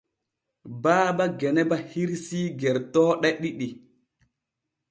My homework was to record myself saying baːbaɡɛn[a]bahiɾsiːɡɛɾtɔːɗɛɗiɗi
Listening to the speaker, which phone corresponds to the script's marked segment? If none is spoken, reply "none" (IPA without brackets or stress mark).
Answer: ɛ